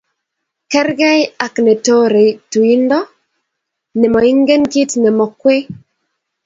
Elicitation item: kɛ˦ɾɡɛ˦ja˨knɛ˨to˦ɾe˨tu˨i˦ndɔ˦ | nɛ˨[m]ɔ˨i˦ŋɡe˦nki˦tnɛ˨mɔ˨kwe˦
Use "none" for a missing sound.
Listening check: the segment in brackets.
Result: m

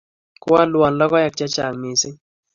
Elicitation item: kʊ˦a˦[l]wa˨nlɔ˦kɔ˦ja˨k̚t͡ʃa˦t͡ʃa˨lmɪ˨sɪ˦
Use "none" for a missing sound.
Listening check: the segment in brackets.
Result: l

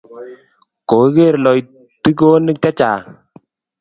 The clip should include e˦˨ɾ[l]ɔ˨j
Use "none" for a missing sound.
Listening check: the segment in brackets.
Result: l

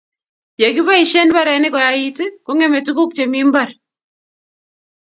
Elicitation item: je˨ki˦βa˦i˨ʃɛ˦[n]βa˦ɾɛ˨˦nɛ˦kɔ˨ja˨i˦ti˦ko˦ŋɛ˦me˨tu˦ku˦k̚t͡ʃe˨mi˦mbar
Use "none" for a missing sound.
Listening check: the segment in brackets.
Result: n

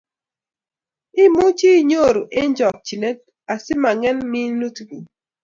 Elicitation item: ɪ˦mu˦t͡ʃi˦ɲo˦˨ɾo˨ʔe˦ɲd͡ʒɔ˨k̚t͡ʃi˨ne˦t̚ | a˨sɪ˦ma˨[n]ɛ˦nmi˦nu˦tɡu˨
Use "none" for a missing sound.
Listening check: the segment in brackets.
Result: ŋ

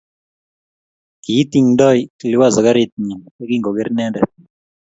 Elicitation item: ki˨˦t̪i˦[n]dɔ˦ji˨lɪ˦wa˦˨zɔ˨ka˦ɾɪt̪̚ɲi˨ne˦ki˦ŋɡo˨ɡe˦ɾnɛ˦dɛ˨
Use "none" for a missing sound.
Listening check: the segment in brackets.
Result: ŋ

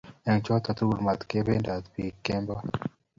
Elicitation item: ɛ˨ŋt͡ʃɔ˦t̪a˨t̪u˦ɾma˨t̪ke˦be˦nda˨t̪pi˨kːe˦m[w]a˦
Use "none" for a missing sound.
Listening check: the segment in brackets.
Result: b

